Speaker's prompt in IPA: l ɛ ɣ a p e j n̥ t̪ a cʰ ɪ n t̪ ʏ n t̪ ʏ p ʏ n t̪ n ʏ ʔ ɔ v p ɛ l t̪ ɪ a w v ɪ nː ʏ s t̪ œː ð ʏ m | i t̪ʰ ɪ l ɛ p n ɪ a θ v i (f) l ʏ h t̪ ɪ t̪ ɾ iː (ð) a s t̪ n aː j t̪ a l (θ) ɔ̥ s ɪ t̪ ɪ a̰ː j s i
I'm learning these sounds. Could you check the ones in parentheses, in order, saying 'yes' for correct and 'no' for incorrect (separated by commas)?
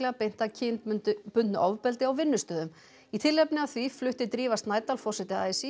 yes, no, no